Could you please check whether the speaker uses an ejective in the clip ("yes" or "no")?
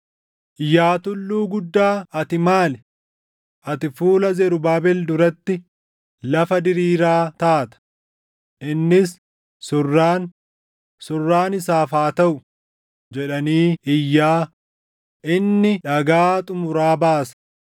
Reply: yes